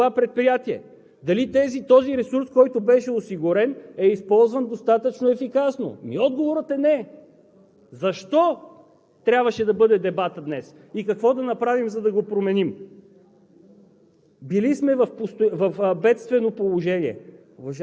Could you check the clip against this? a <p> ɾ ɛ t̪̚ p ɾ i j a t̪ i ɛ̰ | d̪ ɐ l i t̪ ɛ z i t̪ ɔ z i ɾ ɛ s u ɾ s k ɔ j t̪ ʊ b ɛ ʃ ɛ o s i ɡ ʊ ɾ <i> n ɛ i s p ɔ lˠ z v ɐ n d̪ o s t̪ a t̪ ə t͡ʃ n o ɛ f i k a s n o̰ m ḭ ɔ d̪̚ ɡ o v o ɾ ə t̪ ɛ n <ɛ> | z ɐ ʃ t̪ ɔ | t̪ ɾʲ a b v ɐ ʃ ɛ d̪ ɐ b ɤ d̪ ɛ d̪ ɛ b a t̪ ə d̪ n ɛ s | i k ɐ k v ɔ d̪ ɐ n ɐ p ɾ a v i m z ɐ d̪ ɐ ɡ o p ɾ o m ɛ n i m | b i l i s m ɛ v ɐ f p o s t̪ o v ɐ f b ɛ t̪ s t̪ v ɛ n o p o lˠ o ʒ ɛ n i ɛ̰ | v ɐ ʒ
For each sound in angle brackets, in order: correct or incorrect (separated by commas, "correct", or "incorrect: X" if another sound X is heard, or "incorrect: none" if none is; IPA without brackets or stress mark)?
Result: correct, incorrect: ɛ, correct